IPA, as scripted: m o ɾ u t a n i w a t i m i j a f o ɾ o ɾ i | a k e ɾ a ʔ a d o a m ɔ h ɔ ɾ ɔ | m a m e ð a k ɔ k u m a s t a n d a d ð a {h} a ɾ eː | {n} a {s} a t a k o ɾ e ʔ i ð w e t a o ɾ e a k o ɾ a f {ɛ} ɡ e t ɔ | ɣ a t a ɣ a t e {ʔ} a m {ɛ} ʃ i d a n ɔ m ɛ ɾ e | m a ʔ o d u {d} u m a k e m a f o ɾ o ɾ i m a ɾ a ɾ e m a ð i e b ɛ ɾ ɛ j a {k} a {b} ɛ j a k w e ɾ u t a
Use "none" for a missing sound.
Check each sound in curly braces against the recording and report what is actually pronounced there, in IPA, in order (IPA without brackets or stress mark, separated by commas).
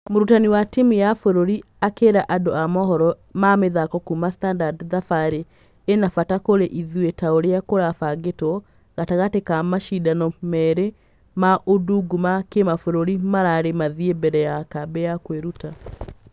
f, n, f, a, k, a, ɡ, k, b